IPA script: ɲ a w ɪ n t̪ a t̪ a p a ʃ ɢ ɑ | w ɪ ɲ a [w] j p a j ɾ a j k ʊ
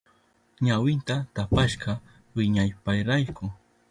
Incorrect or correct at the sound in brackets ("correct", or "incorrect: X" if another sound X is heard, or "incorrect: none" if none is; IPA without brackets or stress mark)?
incorrect: none